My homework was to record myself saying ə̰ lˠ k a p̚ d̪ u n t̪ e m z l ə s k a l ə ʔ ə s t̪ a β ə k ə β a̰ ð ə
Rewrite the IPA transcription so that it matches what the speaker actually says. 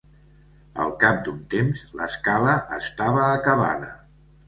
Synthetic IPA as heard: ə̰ lˠ k a p̚ d̪ u n t̪ e m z l ə s k a l ə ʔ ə s t̪ a β əː k ə β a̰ ð ə